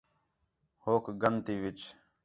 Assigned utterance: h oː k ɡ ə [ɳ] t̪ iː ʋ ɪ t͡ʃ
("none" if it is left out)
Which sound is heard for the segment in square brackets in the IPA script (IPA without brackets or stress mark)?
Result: n